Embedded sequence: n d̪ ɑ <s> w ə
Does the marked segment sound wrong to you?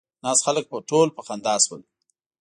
no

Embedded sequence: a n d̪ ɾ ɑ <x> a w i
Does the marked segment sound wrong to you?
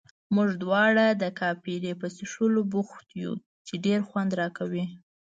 yes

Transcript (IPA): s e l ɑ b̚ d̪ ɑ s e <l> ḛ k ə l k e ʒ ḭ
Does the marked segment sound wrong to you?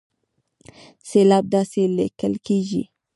no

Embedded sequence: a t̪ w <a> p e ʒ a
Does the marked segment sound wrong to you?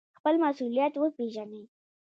yes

